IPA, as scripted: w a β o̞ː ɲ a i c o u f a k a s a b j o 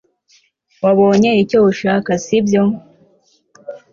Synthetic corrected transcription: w a β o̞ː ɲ e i c o u ʃ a k a s i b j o